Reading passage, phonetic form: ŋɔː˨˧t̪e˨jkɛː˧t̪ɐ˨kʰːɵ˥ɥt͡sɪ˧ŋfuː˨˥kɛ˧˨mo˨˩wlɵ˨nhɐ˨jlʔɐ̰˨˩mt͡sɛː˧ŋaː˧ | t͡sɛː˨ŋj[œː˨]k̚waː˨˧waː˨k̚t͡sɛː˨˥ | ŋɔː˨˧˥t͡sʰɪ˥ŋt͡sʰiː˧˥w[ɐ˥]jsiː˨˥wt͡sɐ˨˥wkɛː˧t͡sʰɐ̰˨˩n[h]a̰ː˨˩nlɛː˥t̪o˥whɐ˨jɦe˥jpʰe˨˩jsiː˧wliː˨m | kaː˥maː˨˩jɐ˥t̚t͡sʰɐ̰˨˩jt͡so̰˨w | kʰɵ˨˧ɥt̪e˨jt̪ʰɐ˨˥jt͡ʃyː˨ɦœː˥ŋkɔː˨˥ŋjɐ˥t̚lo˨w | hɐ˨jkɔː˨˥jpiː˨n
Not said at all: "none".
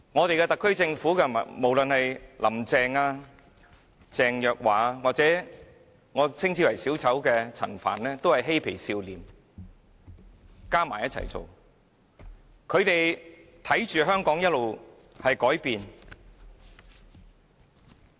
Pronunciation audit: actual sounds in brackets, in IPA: œː˨, ɐ˨˩, f

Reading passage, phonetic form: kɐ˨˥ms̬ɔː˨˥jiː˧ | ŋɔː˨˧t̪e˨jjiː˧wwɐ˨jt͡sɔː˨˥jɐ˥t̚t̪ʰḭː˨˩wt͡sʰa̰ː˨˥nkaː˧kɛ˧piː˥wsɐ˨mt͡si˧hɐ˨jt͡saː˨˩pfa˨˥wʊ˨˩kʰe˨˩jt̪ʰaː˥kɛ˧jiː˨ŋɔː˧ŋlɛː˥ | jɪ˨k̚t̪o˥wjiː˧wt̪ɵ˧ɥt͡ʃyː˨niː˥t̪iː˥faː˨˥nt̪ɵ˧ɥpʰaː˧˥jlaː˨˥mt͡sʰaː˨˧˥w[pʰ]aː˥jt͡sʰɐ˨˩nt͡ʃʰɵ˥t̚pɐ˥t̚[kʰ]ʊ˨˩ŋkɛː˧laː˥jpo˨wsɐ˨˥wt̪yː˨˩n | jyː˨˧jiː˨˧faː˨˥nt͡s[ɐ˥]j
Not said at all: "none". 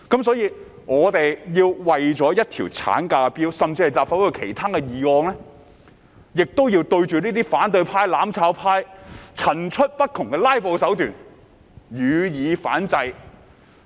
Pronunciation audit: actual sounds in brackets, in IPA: pʰ, kʰ, ɐ˧

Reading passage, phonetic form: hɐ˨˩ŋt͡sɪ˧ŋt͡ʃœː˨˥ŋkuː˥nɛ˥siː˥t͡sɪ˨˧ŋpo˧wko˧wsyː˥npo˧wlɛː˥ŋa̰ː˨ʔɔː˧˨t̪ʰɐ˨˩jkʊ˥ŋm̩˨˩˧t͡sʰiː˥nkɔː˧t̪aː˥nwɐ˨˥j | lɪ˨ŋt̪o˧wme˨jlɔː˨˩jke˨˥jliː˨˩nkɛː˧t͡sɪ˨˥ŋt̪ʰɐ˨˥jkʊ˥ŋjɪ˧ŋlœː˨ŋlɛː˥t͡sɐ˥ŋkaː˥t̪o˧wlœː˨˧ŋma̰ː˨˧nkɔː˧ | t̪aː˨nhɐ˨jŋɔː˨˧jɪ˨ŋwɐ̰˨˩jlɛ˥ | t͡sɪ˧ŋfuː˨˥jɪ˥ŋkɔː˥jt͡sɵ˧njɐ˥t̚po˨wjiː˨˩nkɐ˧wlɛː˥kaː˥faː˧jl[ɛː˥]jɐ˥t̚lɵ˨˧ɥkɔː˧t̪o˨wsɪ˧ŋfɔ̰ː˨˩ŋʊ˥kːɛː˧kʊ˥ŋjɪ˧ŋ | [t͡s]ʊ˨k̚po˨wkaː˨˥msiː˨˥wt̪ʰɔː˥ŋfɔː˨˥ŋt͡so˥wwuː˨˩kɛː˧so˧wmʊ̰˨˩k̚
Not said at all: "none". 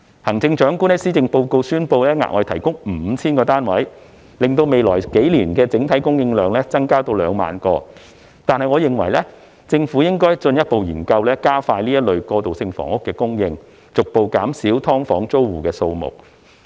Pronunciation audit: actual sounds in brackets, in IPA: iː˥, t͡s

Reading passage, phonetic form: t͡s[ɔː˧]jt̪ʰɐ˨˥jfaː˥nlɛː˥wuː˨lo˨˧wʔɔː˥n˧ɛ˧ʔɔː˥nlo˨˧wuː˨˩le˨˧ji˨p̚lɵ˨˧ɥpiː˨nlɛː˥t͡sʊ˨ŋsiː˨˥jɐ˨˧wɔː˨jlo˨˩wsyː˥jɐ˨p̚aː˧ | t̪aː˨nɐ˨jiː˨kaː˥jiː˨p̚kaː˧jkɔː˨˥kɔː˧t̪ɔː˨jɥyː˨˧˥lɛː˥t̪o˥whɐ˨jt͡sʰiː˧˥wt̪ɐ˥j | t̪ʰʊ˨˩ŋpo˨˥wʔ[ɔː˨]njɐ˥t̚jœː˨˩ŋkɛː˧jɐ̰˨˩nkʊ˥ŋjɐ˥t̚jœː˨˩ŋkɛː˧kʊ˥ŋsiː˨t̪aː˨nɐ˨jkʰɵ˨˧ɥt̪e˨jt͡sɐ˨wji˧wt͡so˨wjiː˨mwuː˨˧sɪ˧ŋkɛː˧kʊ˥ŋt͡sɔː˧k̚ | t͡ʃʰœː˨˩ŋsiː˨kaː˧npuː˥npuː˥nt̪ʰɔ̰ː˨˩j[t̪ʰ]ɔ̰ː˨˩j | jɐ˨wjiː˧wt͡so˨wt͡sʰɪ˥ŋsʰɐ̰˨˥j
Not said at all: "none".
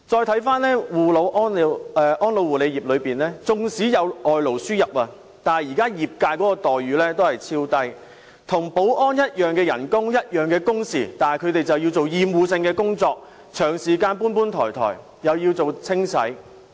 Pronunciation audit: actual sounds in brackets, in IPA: ɔː˧, ɔː˥, t̪ʰ

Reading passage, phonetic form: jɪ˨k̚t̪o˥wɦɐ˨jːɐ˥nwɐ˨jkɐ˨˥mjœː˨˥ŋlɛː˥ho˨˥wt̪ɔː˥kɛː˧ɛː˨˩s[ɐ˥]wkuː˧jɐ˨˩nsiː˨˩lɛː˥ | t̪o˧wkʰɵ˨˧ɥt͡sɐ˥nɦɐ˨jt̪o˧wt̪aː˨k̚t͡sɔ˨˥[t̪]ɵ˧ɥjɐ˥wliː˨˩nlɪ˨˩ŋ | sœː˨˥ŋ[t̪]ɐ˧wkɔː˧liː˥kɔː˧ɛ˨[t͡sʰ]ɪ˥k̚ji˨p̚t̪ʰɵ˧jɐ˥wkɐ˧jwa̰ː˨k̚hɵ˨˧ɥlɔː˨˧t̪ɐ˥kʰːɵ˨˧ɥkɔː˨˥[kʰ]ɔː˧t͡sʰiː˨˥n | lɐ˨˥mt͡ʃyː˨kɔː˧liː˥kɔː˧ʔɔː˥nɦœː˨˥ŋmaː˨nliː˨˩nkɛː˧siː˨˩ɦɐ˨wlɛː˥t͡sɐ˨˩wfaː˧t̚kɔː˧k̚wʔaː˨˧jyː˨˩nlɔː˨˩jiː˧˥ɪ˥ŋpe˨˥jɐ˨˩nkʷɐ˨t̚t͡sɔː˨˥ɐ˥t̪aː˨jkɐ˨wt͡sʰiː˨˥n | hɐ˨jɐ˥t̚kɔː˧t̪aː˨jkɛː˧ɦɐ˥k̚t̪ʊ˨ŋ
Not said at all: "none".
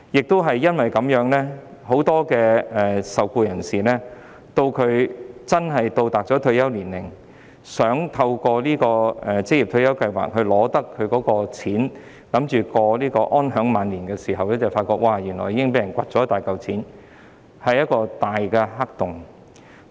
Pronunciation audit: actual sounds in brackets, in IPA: ɐ˨, t̪ʰ, t̪ʰ, t͡s, k

